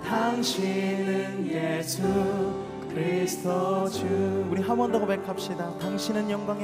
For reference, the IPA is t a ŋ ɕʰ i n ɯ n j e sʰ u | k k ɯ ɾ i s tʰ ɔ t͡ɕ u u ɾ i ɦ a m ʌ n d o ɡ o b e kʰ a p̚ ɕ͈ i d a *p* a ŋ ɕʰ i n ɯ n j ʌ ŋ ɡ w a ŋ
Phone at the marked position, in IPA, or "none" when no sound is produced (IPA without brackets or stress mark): t